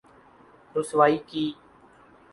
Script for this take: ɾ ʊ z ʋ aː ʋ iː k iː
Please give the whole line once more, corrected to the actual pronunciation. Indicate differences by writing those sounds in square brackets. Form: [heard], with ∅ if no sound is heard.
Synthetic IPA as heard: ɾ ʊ [s] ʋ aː [∅] iː k iː